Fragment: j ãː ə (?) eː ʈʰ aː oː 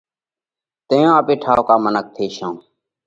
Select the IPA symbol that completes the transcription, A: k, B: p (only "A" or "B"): B